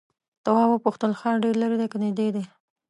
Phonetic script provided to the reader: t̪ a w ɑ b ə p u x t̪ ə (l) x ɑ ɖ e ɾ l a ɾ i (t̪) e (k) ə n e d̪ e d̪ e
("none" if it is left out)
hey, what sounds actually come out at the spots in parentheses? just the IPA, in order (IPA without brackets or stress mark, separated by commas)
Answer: l, d̪, k